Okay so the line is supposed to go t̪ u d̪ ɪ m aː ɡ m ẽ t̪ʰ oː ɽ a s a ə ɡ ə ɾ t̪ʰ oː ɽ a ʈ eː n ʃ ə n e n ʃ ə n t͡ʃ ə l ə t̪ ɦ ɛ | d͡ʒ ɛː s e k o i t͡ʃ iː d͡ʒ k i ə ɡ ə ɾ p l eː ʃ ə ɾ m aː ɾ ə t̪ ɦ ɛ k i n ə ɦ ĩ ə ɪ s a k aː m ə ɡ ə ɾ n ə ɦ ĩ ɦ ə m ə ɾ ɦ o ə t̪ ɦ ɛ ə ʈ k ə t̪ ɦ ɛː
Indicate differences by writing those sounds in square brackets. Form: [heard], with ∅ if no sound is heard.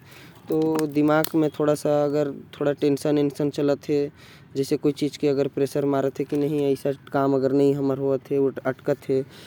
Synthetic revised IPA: t̪ [o] d̪ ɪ m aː ɡ m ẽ t̪ʰ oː ɽ a s a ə ɡ ə ɾ t̪ʰ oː ɽ a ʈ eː n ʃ ə n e n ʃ ə n t͡ʃ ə l ə t̪ ɦ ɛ | d͡ʒ ɛː s e k o i t͡ʃ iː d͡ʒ k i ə ɡ ə ɾ p [ɾ] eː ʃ ə ɾ m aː ɾ ə t̪ ɦ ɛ k i n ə ɦ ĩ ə ɪ s a k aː m ə ɡ ə ɾ n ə ɦ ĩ ɦ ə m ə ɾ ɦ o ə t̪ ɦ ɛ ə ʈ k ə t̪ ɦ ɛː